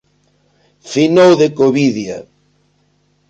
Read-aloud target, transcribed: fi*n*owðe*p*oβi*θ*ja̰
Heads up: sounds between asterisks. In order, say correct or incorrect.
correct, incorrect, incorrect

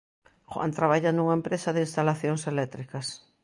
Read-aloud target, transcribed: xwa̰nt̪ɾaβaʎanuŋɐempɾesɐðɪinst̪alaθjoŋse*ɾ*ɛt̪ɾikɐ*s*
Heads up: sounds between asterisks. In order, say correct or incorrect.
incorrect, correct

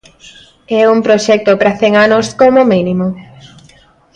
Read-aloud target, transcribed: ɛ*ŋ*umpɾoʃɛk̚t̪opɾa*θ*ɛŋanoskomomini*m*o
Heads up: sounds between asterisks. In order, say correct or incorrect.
incorrect, correct, correct

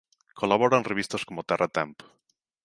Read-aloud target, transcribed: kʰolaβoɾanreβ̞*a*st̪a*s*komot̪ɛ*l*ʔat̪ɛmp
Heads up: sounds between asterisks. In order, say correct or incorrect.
incorrect, correct, incorrect

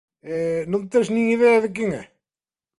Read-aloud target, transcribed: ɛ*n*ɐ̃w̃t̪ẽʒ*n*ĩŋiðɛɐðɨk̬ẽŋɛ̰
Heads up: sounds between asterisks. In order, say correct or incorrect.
correct, correct

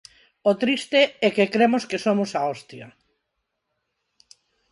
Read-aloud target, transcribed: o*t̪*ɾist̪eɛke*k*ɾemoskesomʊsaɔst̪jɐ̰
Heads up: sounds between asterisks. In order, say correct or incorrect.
correct, correct

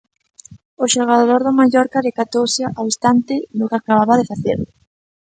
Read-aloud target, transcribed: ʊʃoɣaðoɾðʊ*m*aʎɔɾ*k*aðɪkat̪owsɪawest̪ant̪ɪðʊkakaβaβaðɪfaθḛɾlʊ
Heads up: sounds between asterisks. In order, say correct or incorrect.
correct, correct

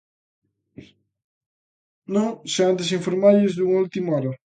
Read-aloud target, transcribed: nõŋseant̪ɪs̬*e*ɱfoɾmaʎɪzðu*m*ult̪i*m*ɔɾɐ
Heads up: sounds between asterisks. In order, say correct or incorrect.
incorrect, incorrect, correct

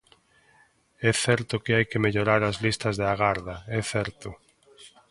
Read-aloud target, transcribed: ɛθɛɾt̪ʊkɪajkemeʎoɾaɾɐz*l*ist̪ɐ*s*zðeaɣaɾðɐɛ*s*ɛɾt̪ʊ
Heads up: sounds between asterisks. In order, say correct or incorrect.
correct, incorrect, incorrect

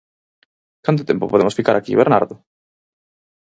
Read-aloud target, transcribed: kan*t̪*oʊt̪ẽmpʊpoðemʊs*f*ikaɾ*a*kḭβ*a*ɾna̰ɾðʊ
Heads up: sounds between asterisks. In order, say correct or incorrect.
correct, correct, correct, incorrect

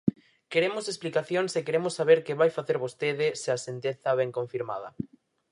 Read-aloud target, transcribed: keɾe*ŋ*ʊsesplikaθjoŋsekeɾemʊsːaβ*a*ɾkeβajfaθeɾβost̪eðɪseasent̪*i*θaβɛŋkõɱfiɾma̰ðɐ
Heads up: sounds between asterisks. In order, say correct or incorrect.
incorrect, incorrect, incorrect

